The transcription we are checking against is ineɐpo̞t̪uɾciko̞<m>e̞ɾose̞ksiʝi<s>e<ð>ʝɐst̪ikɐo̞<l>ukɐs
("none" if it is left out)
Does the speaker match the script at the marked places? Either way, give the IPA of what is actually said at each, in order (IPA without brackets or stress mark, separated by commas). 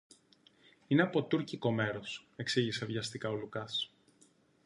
m, s, v, l